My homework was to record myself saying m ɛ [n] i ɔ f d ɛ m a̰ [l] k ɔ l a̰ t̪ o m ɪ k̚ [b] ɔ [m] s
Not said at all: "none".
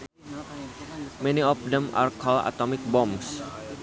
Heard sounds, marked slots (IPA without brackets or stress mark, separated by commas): n, r, b, m